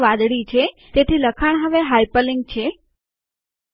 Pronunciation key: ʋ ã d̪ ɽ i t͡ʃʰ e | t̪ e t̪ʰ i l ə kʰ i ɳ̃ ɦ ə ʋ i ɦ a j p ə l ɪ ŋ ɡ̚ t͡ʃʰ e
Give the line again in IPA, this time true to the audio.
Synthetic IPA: ʋ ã d̪ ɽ i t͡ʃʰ e | t̪ e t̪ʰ i l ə kʰ a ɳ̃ ɦ ə ʋ e ɦ a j p ə l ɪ ŋ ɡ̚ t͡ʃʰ e